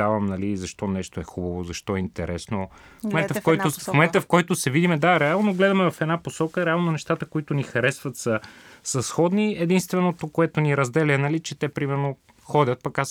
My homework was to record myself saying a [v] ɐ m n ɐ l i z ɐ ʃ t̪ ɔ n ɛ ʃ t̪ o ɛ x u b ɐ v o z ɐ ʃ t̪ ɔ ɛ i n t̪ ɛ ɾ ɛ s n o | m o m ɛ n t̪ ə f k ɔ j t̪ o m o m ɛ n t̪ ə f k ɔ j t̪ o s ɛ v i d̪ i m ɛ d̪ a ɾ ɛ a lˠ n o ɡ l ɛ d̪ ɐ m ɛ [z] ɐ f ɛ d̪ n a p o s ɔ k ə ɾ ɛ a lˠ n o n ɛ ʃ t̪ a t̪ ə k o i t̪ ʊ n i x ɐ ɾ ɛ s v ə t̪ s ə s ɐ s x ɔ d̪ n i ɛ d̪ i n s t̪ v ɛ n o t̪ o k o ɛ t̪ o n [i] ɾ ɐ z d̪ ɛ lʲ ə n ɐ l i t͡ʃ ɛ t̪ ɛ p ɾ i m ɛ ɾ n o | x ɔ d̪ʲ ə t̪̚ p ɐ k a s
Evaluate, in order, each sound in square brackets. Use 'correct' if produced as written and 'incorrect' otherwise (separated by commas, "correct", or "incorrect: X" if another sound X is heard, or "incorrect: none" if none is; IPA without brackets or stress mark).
correct, incorrect: v, correct